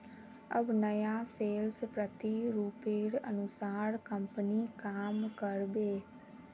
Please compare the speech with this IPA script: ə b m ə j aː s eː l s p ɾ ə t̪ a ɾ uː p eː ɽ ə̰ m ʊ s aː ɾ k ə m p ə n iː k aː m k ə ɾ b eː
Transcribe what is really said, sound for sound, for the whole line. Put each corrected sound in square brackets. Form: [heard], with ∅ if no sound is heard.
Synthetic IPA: ə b [n] ə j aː s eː l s p ɾ ə t̪ [i] ɾ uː p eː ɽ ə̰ [n] ʊ s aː ɾ k ə m p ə n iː k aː m k ə ɾ b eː